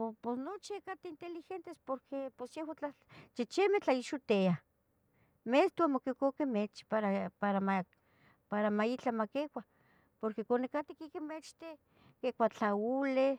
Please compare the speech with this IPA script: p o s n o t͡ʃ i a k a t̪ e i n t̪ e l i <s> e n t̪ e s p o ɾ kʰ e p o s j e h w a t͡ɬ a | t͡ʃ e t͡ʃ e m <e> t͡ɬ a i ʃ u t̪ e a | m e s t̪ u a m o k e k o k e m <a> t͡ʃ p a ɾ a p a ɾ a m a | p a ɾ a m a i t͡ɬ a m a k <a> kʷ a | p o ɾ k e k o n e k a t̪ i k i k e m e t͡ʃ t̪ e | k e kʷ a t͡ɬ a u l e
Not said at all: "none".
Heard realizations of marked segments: x, e, e, e

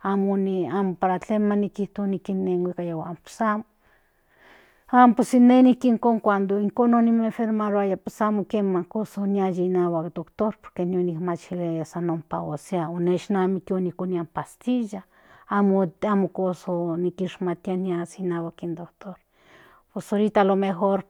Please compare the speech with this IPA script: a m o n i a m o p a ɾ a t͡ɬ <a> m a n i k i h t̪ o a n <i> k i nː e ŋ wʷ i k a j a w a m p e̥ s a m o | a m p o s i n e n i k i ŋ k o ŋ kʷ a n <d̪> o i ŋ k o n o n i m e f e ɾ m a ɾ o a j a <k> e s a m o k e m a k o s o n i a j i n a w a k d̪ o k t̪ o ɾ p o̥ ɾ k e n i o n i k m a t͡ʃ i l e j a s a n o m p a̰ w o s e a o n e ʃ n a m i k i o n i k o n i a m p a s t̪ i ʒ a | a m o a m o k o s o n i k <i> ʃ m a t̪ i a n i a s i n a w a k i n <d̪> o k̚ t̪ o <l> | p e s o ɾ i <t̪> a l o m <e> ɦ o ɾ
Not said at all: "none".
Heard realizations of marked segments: e, i, d̪, p, i, d̪, ɾ, t̪, e

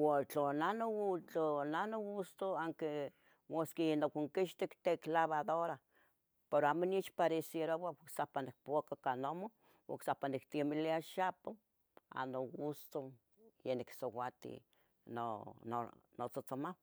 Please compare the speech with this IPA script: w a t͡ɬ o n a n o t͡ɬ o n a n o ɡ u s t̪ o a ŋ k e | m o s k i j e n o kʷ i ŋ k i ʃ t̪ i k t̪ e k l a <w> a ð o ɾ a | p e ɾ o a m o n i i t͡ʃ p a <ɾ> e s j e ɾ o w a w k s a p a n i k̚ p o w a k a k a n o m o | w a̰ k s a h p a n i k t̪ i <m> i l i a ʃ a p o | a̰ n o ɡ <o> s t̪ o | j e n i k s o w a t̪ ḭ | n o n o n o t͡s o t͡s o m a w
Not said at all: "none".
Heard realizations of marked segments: β, ɾ, m, u

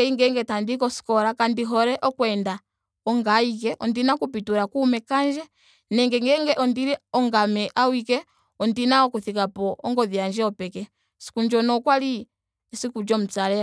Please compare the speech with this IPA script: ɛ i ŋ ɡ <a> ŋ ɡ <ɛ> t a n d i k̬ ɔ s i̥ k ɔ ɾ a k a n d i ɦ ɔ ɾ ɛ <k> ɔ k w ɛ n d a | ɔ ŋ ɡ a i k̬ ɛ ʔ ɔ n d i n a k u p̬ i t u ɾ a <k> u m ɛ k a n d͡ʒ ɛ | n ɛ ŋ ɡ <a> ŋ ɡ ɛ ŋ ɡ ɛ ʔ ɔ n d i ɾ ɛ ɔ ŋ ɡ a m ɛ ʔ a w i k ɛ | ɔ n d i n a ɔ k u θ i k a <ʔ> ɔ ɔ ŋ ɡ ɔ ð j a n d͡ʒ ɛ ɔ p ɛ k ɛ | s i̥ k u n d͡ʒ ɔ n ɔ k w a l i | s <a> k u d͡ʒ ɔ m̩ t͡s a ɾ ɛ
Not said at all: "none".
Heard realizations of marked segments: ɛ, ɛ, ʔ, k, ɛ, p, i

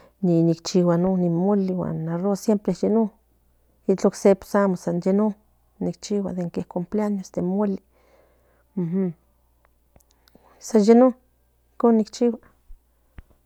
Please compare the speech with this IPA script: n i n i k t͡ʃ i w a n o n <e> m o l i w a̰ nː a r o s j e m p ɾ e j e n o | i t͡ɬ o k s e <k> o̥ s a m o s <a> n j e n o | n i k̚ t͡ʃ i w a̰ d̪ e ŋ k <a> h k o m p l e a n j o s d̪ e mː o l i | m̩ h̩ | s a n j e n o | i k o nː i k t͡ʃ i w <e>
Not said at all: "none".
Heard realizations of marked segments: i, p, a, e, a

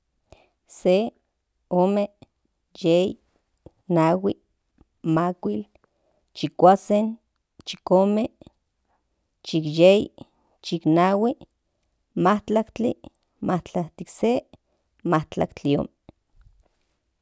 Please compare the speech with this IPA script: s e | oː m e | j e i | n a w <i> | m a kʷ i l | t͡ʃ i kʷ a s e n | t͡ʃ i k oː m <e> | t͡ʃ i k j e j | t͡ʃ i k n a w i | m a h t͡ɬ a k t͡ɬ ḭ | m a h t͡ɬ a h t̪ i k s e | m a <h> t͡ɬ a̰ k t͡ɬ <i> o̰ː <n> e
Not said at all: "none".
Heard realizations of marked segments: i, e, h, i, m

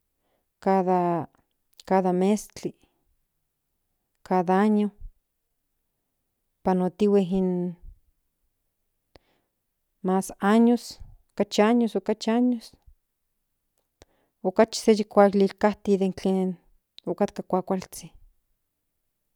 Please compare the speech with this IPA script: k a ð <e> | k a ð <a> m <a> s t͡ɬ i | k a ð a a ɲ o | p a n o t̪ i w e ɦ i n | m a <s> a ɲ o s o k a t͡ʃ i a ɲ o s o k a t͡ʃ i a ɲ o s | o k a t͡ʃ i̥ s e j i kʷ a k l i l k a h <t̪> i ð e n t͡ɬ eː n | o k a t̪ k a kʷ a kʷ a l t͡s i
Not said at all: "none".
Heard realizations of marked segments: a, a, e, s, t̪

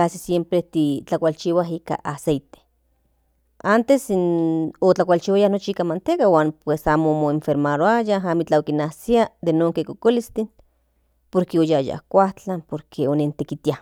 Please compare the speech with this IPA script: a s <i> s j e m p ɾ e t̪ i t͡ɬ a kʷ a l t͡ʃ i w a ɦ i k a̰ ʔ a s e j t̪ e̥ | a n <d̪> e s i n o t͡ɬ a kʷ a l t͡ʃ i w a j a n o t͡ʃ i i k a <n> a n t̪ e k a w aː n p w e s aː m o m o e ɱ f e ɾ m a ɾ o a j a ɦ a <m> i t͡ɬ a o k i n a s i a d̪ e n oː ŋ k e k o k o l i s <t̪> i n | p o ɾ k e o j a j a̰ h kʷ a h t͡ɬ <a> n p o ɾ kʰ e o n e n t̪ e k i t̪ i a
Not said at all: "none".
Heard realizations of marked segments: i, t̪, m, m, t̪, a

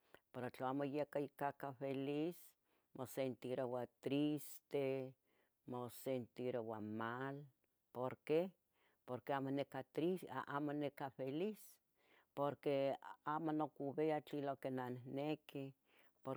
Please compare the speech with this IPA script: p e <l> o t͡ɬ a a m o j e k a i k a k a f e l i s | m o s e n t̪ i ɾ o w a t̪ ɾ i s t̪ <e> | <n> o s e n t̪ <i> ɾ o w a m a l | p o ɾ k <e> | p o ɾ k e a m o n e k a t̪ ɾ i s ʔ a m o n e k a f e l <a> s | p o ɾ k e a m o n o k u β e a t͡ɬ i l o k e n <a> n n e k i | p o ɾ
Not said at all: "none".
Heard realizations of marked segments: ɾ, e, m, i, e, i, a

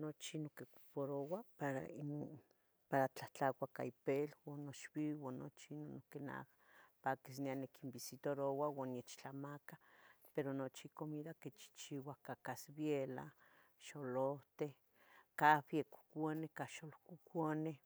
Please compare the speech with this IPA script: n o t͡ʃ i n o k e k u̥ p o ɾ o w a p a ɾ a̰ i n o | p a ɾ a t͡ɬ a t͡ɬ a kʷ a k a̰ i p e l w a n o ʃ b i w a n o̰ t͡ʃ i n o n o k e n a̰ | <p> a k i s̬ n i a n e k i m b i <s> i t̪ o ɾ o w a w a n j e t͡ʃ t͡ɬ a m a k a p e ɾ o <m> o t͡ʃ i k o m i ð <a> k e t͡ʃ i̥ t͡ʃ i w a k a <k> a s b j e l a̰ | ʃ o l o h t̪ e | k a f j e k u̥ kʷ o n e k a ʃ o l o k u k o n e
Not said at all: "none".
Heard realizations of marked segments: p, s, n, a, k

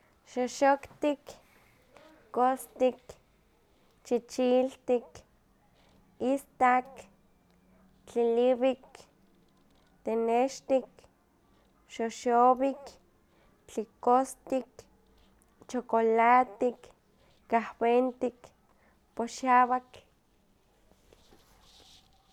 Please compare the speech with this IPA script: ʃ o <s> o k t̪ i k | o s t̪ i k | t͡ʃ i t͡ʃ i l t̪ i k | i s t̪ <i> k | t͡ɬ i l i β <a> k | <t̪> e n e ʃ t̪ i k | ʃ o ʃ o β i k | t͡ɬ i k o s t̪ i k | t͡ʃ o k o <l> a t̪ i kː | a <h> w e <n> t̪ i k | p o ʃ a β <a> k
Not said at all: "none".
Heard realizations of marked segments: ʃ, a, i, t̪, l, h, n, a

